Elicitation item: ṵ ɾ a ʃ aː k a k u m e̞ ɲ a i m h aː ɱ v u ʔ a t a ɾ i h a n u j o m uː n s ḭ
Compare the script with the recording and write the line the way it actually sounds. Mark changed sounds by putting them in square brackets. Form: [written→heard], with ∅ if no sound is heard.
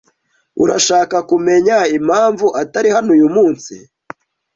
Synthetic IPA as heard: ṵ ɾ a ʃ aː k a k u m e̞ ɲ a i m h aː ɱ v u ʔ a t a ɾ i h a n u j [o→u] m uː n s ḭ